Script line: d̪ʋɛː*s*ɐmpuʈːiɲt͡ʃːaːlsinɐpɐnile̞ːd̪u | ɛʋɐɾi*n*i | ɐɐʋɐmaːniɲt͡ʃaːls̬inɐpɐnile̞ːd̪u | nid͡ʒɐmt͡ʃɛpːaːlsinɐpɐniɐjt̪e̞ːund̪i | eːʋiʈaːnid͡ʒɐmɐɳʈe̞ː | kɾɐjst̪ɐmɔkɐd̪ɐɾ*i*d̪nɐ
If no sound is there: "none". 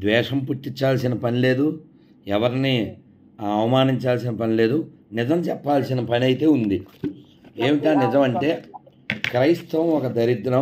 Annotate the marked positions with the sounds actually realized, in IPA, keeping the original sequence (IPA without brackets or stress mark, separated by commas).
ʂ, n, i